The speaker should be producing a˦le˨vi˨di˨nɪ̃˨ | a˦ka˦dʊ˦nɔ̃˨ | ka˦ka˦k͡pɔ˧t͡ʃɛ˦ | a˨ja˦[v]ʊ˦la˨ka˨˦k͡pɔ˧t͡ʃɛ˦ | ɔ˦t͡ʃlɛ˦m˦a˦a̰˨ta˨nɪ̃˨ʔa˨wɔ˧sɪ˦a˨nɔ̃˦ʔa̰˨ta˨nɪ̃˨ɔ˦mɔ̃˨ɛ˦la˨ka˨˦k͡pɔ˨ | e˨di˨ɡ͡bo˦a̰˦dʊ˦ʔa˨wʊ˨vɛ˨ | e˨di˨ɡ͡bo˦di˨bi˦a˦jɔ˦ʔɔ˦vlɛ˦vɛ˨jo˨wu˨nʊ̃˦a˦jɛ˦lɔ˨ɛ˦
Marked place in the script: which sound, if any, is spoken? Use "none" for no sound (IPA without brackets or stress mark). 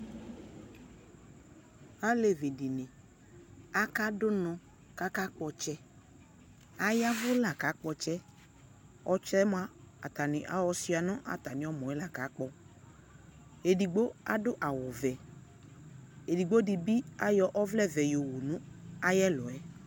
v